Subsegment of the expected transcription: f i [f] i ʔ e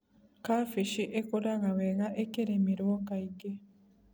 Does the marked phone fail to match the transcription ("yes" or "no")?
yes